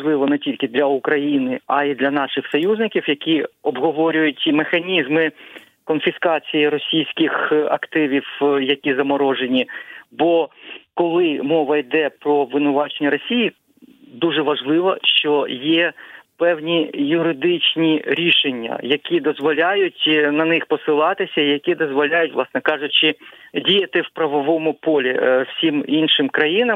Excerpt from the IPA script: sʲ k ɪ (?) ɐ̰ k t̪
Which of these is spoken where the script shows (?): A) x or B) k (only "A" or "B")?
A